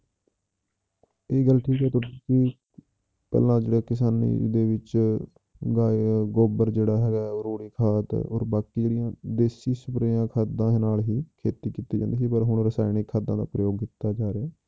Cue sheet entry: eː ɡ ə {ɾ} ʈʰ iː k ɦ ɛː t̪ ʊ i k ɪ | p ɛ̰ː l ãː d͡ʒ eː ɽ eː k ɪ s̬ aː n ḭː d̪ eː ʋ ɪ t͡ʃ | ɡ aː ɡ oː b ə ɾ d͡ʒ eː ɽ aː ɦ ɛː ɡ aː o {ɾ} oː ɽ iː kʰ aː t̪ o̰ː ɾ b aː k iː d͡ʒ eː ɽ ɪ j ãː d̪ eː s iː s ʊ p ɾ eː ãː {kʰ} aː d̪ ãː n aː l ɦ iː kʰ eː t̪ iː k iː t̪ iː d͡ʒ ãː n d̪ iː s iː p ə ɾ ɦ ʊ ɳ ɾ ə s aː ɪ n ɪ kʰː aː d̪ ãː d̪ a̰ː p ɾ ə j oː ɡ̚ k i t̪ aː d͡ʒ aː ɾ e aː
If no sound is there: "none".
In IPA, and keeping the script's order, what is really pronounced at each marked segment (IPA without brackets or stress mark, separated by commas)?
l, ɾ, kʰ